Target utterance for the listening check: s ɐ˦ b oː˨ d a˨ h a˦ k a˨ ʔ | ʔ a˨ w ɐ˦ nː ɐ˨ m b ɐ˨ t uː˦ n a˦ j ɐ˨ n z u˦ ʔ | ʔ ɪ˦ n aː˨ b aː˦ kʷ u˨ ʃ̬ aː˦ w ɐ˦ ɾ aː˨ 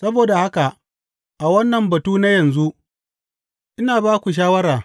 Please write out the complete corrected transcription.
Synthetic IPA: s ɐ˦ b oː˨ d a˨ h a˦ k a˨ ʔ | ʔ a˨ w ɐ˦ nː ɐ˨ m b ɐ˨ t uː˦ n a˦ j ɐ˨ n z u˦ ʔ | ʔ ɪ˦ n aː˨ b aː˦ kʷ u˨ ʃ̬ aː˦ w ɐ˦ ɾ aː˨

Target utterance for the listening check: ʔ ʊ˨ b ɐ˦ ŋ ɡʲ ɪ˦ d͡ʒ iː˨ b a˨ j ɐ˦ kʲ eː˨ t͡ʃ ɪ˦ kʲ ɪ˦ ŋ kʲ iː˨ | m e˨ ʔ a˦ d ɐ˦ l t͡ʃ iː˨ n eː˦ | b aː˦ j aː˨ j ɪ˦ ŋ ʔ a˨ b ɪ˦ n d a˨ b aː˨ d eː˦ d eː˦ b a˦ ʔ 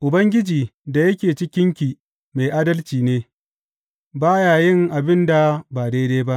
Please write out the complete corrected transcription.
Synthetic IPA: ʔ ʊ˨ b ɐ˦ ŋ ɡʲ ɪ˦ d͡ʒ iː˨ d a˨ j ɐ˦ kʲ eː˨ t͡ʃ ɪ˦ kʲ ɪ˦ ŋ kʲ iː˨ | m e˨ ʔ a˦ d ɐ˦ l t͡ʃ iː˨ n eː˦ | b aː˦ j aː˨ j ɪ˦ ŋ ʔ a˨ b ɪ˦ n d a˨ b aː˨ d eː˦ d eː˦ b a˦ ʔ

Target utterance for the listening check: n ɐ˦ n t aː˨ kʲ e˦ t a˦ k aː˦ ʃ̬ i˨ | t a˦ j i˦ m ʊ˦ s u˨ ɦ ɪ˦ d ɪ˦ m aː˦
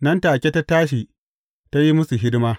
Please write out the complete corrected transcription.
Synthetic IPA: n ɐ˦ n t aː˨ kʲ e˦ t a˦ t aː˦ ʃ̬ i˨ | t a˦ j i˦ m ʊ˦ s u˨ ɦ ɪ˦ d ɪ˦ m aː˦

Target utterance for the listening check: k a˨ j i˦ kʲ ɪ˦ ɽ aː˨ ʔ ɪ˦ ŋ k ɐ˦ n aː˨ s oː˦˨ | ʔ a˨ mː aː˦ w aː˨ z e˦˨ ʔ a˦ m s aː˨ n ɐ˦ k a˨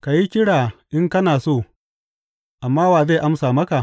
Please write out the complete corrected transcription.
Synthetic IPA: k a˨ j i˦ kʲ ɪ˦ ɽ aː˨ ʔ ɪ˦ ŋ k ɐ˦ n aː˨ s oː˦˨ | ʔ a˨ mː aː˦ w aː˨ z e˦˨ ʔ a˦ m s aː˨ m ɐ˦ k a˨

